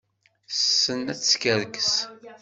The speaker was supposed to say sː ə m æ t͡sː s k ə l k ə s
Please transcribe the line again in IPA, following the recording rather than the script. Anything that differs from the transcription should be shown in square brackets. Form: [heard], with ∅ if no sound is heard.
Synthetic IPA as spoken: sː ə [n] æ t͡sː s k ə [ɾ] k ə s